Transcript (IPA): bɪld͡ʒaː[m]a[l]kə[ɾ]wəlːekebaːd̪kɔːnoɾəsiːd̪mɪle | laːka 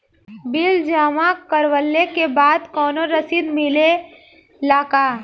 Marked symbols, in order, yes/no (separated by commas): yes, no, yes